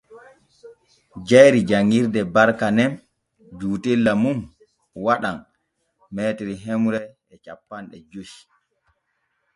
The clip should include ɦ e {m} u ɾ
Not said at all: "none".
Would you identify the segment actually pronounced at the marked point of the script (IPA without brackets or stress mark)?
m